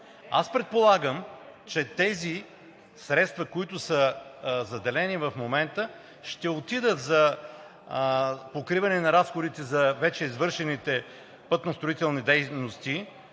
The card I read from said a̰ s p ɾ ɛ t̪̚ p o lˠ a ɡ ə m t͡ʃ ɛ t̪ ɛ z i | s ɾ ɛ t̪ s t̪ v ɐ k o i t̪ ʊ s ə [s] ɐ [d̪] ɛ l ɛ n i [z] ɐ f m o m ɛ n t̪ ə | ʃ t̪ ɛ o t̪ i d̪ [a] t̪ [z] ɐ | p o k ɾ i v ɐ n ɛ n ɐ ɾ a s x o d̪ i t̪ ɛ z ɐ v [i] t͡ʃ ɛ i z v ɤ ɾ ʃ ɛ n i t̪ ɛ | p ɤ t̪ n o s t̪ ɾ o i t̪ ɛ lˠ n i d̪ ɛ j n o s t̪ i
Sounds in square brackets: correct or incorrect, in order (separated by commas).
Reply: incorrect, correct, incorrect, incorrect, correct, incorrect